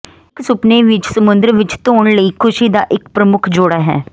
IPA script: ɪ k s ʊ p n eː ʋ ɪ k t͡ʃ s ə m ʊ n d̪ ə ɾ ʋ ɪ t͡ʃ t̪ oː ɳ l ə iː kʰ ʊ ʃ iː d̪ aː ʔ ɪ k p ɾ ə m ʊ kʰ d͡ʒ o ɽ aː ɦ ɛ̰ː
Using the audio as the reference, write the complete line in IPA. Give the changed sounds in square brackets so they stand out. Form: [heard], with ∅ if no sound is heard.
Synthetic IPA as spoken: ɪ k s ʊ p n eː ʋ ɪ [∅] t͡ʃ s ə m ʊ n d̪ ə ɾ ʋ ɪ t͡ʃ t̪ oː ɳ l ə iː kʰ ʊ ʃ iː d̪ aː ʔ ɪ k p ɾ ə m ʊ kʰ d͡ʒ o ɽ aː ɦ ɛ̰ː